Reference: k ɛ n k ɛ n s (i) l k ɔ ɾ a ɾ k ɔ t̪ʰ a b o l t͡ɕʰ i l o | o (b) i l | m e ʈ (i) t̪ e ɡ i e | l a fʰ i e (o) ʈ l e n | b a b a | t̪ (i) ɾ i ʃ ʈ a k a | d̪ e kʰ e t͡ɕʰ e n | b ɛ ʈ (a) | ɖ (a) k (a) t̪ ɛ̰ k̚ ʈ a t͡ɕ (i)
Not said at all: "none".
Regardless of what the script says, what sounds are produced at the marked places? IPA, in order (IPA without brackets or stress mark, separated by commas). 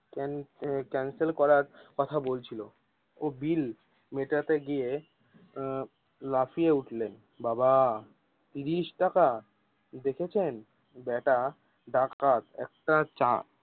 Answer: e, b, a, u, i, a, a, a, a